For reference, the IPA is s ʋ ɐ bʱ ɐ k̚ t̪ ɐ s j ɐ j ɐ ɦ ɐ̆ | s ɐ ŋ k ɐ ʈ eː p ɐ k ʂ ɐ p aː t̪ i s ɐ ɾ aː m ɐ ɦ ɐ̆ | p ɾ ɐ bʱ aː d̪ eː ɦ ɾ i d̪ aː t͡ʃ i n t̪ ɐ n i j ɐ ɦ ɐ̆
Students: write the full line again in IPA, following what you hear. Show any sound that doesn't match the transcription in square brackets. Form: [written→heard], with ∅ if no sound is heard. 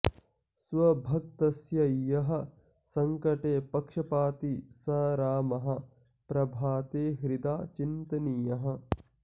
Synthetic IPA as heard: s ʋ ɐ bʱ ɐ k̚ t̪ ɐ s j ɐ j ɐ ɦ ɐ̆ | s ɐ ŋ k ɐ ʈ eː p ɐ k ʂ ɐ p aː t̪ i s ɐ ɾ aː m ɐ ɦ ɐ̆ | p ɾ ɐ bʱ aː [d̪→t̪] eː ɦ ɾ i d̪ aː t͡ʃ i n t̪ ɐ n i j ɐ ɦ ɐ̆